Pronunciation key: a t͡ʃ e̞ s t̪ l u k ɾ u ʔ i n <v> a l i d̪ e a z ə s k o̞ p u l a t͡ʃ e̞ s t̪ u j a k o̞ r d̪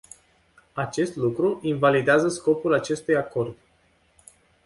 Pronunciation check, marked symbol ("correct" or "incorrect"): correct